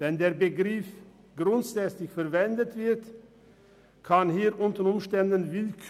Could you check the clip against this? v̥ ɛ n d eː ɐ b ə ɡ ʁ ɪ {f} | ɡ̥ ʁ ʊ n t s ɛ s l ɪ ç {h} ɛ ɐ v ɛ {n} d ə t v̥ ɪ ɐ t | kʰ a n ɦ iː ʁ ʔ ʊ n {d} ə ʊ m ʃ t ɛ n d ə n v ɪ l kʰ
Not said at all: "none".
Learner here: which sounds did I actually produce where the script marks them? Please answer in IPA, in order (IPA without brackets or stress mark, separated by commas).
f, f, n, t